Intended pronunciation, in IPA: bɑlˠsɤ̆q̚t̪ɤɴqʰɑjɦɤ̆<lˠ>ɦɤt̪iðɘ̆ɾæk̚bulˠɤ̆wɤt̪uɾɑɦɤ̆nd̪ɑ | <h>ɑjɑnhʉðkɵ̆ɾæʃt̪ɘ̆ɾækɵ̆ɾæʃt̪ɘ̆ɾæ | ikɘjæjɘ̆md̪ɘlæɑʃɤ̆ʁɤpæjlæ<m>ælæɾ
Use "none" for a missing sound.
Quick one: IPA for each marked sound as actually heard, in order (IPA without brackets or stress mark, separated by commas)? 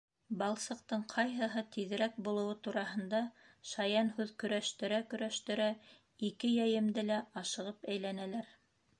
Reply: none, ʃ, n